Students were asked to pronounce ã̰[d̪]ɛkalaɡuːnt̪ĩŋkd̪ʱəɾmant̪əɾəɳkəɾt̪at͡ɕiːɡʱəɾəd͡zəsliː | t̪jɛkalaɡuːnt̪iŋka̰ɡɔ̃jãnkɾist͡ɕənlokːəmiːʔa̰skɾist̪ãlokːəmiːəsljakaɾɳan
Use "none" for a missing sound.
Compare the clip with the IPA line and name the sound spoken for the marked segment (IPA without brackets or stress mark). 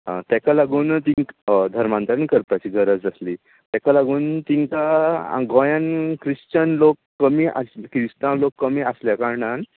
t̪